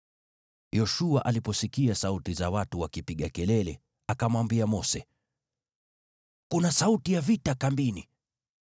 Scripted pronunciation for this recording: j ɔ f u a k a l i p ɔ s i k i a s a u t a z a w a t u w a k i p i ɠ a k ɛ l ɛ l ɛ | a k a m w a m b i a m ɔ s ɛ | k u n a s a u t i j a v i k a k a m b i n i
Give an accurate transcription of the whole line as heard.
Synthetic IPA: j ɔ ʃ u a ʔ a l i p ɔ s i k i a s a u t i z a w a t u w a k i p i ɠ a k ɛ l ɛ l ɛ | a k a m w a m b i a m ɔ s ɛ | k u n a s a u t i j a v i t a k a m b i n i